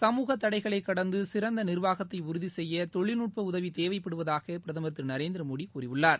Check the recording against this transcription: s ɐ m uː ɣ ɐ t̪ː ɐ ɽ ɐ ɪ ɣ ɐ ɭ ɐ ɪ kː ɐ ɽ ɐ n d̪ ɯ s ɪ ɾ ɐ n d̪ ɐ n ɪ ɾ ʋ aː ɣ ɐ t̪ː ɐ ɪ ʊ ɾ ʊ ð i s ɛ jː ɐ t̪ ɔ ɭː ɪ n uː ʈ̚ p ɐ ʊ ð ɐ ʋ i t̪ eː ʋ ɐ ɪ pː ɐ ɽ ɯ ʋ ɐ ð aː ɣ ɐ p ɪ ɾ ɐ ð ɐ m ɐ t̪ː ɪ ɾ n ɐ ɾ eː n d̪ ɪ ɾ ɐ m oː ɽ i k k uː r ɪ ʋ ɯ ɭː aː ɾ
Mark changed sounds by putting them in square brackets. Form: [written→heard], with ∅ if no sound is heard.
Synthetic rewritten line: s ɐ m uː ɣ ɐ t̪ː ɐ ɽ ɐ ɪ ɣ ɐ ɭ ɐ ɪ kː ɐ ɽ ɐ n d̪ ɯ s ɪ ɾ ɐ n d̪ ɐ n ɪ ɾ ʋ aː ɣ ɐ t̪ː ɐ ɪ ʊ ɾ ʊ ð i s ɛ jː ɐ t̪ ɔ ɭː ɪ n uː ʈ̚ p ɐ ʊ ð ɐ ʋ i t̪ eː ʋ ɐ ɪ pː ɐ ɽ ɯ ʋ ɐ ð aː ɣ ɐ p ɪ ɾ ɐ ð ɐ m ɐ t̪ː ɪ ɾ n ɐ ɾ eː n d̪ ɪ ɾ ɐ m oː ɽ i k k uː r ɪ ʋ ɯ ɭː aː ɾ